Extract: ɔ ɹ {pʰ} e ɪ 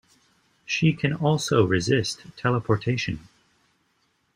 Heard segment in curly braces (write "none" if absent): tʰ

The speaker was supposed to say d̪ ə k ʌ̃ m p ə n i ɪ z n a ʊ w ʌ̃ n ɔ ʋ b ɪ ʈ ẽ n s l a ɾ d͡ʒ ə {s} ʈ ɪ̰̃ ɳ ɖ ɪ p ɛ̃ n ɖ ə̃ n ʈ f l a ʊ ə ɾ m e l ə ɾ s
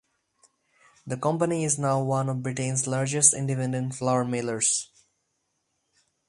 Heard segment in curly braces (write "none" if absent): s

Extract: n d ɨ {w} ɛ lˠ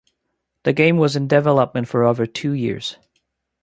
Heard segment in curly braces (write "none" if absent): v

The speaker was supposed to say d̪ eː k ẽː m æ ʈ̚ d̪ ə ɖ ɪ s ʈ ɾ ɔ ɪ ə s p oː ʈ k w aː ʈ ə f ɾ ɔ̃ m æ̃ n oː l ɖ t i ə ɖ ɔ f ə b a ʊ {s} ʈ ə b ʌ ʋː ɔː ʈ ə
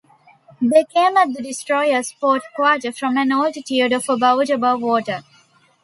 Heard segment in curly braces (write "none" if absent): none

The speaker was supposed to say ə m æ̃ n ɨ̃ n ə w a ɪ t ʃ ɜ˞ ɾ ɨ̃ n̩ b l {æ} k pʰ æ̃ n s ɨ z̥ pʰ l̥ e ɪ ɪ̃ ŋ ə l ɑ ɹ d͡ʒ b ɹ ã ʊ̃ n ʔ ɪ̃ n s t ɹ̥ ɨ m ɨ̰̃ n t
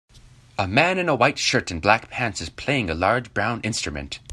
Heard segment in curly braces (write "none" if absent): æ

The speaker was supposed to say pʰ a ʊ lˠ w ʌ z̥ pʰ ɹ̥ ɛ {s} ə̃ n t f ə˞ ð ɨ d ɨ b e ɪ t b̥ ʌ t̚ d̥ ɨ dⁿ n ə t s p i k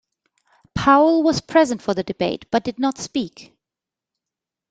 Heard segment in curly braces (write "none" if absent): z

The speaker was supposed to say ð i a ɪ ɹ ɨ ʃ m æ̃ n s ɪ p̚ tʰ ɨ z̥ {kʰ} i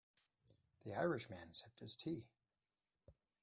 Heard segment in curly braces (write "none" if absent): tʰ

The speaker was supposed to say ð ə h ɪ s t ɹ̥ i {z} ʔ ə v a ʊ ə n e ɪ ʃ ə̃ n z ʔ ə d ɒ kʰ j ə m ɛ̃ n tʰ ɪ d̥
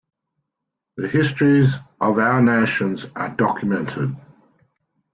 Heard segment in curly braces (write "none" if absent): z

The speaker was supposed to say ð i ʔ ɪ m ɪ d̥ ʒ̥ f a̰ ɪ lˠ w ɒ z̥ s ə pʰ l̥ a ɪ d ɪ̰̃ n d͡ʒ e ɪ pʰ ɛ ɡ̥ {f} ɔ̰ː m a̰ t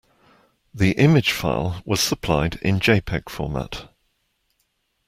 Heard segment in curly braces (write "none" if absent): f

